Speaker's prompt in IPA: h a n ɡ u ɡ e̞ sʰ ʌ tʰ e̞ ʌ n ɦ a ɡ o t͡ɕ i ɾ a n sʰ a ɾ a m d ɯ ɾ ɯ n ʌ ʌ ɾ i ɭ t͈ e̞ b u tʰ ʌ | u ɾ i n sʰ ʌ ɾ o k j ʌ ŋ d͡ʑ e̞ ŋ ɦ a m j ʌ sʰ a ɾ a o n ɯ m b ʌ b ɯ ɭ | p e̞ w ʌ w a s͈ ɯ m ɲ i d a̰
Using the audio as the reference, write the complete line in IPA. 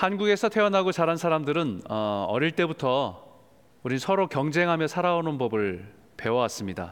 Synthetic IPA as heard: h a n ɡ u ɡ e̞ sʰ ʌ tʰ e̞ ʌ n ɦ a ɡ o t͡ɕ a ɾ a n sʰ a ɾ a m d ɯ ɾ ɯ n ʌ ʌ ɾ i ɭ t͈ e̞ b u tʰ ʌ | u ɾ i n sʰ ʌ ɾ o k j ʌ ŋ d͡ʑ e̞ ŋ ɦ a m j ʌ sʰ a ɾ a o n ɯ n b ʌ b ɯ ɭ | p e̞ w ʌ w a s͈ ɯ m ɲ i d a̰